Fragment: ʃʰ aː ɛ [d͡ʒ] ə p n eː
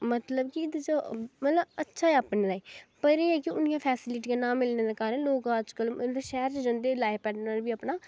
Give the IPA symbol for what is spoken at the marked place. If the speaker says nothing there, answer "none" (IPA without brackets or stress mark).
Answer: none